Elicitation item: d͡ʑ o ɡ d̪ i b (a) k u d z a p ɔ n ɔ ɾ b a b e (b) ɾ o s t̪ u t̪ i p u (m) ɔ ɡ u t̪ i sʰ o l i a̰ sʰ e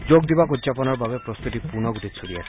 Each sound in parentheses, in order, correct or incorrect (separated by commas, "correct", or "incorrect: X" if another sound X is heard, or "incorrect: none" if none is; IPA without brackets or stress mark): correct, incorrect: p, incorrect: n